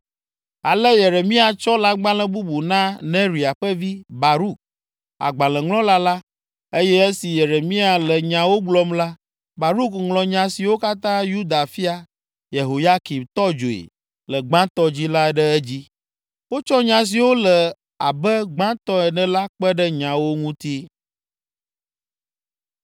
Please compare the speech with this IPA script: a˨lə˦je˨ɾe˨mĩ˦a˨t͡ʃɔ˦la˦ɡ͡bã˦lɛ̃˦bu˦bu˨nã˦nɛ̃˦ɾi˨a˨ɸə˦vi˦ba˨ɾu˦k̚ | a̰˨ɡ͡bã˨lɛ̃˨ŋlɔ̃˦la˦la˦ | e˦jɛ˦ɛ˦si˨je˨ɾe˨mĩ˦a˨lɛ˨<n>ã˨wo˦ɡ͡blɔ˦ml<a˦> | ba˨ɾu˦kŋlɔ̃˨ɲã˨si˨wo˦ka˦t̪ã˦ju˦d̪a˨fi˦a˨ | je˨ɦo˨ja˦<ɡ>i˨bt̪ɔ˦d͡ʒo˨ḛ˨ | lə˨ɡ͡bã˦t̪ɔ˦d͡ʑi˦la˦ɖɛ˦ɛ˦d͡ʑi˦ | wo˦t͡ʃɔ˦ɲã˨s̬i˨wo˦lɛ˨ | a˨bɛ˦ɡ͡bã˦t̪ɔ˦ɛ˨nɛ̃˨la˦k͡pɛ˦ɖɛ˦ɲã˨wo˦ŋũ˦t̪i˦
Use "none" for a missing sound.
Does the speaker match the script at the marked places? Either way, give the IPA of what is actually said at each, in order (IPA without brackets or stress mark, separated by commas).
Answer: ɲ, a˦, k